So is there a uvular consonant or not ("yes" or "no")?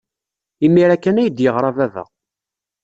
yes